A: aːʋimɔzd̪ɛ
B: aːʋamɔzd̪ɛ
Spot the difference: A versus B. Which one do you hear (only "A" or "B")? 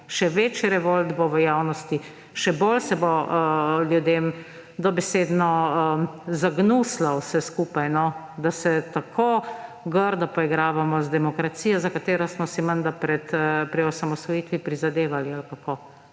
B